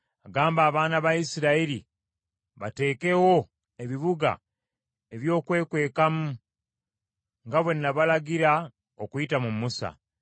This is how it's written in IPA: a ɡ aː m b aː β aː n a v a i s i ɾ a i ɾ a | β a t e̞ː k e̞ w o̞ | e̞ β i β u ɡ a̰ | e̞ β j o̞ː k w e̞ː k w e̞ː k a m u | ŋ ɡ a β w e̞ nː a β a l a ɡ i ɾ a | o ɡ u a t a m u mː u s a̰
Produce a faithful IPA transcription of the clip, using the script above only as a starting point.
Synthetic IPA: a ɡ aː m b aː β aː n a β a i s i ɾ a i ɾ i | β a t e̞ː k e̞ w o̞ | e̞ β i β u ɡ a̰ | e̞ β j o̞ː k w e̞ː k w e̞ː k a m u | ŋ ɡ a β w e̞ nː a β a l a ɡ i ɾ a | o k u i t a m u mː u s a̰